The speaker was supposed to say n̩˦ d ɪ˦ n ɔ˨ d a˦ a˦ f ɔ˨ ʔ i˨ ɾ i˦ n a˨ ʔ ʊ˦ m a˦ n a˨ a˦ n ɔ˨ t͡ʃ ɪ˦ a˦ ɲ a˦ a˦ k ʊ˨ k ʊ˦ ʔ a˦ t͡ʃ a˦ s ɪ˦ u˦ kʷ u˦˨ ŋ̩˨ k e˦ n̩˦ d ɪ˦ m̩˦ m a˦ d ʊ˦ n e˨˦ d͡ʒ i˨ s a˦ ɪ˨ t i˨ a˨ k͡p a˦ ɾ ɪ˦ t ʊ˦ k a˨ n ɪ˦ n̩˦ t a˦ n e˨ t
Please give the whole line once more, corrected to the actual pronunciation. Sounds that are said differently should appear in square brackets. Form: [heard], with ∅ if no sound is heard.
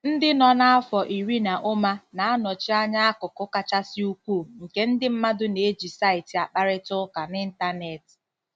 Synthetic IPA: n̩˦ d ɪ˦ n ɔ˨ [n] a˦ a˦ f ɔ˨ ʔ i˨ ɾ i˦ n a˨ ʔ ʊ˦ m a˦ n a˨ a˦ n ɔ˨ t͡ʃ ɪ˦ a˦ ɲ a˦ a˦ k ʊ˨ k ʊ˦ [k] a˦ t͡ʃ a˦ s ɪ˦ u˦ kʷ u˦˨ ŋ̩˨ k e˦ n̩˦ d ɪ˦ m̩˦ m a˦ d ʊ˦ n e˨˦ d͡ʒ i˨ s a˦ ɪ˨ t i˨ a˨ k͡p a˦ ɾ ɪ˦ t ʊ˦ k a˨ n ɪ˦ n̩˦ t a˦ n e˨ t